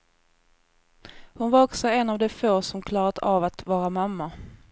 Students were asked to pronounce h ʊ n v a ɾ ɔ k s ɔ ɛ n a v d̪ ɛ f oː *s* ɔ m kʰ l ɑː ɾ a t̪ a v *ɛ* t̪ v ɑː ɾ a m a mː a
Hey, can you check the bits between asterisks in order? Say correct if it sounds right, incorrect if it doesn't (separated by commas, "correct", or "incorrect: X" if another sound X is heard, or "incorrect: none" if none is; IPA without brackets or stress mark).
correct, incorrect: a